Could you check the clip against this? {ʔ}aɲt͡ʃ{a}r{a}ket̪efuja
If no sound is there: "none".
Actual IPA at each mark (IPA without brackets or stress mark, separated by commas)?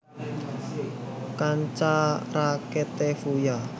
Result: k, a, a